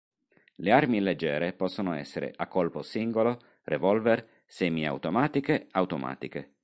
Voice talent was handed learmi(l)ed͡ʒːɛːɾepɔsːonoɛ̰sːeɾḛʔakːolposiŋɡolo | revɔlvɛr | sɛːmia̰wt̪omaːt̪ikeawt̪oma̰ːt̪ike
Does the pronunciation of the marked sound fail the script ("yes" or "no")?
no